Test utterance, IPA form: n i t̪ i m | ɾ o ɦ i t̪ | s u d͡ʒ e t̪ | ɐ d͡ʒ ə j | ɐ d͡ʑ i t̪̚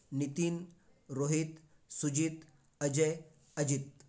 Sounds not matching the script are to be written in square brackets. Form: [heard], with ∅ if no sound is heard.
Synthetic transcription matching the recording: n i t̪ i [n] | ɾ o ɦ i t̪ | s u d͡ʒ [i] t̪ | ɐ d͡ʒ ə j | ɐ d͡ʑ i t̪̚